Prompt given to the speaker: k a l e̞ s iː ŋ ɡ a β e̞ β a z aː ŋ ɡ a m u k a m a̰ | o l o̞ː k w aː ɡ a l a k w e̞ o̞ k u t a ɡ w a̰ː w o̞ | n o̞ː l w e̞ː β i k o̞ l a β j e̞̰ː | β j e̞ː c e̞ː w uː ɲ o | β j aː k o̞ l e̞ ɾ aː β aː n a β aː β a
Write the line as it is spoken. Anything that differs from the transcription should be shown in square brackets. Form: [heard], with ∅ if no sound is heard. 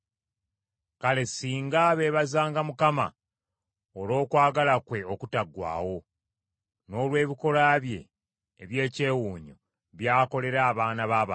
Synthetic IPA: k a l e̞ s iː ŋ ɡ a β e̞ β a z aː ŋ ɡ a m u k a m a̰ | o l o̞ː k w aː ɡ a l a k w e̞ o̞ k u t a ɡ w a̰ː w o̞ | n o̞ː l w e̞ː β i k o̞ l a β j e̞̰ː | β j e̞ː c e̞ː w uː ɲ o | β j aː k o̞ l e̞ ɾ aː β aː n a β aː β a